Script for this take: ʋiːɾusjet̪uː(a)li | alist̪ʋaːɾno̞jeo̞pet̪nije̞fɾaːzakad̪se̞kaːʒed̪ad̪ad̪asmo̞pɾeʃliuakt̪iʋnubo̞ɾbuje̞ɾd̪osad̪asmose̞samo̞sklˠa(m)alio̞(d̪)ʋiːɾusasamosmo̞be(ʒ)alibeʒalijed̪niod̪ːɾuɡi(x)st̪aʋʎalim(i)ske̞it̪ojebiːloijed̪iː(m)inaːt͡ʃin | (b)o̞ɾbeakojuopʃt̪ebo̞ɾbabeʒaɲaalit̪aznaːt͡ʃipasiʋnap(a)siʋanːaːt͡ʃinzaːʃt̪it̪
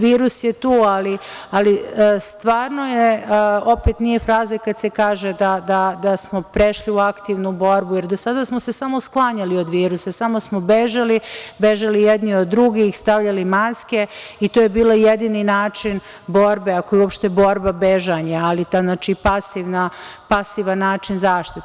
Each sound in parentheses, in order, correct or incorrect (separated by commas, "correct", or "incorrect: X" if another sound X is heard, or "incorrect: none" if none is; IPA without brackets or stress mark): correct, incorrect: ɲ, correct, correct, correct, incorrect: a, incorrect: n, correct, correct